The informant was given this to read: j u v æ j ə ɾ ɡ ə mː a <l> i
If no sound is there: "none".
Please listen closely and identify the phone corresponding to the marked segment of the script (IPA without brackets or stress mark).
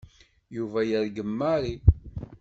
ɾ